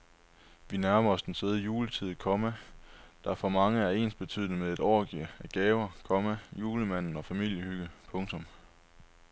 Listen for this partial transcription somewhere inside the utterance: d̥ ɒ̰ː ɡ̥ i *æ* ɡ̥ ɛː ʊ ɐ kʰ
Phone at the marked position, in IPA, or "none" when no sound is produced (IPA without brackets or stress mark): æ